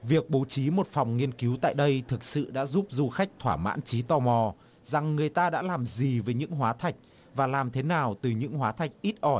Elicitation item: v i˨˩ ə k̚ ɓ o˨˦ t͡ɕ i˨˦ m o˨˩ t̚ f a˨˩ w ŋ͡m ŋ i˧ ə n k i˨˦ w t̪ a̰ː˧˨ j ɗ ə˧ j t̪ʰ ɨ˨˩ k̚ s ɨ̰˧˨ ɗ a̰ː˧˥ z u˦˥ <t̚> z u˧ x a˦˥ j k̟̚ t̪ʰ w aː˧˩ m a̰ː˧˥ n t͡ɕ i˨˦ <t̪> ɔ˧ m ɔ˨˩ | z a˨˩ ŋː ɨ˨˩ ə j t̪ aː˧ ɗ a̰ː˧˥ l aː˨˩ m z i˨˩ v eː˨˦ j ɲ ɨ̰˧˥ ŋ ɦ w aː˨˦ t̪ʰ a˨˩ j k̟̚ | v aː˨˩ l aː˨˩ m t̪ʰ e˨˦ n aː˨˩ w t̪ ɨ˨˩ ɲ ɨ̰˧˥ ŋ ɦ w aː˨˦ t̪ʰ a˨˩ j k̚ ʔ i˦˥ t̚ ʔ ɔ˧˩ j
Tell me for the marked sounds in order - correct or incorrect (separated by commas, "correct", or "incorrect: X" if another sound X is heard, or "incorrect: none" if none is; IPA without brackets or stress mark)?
incorrect: p̚, correct